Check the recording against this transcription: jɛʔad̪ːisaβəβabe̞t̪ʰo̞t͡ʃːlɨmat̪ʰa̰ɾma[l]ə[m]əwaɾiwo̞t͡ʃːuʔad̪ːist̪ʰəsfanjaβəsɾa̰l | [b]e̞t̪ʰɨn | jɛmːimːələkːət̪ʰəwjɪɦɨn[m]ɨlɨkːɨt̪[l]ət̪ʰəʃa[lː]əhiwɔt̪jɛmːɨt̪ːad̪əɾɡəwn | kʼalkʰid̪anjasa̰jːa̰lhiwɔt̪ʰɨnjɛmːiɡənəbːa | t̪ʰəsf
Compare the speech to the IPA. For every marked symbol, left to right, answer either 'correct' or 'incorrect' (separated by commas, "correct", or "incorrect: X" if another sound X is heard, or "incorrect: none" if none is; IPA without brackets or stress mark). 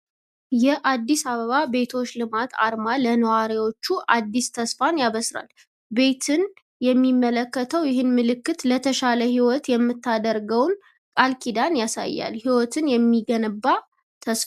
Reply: correct, incorrect: n, correct, correct, correct, incorrect: l